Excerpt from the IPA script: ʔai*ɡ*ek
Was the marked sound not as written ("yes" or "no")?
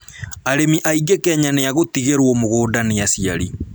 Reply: no